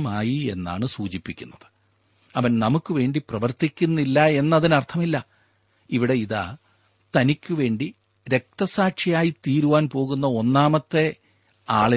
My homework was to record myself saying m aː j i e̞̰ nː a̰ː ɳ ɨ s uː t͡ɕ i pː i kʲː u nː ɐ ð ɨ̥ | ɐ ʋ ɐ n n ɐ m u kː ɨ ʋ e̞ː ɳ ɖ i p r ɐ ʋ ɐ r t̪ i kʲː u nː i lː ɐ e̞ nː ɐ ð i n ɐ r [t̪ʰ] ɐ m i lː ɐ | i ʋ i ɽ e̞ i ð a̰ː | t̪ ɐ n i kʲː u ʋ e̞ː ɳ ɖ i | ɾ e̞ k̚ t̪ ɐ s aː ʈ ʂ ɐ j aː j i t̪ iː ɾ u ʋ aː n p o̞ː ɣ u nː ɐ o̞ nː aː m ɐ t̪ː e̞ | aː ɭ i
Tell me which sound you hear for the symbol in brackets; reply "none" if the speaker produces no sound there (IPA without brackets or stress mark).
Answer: t̪ʰ